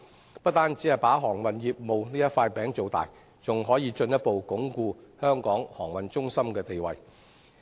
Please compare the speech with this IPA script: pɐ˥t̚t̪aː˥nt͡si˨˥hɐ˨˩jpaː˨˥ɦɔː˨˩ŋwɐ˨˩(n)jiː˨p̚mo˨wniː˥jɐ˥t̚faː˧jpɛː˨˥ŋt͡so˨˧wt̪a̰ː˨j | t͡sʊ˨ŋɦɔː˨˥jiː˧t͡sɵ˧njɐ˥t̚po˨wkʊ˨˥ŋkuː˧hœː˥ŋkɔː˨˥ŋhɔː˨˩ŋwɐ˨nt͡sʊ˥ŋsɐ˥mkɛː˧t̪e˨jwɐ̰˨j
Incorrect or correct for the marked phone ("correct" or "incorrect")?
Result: correct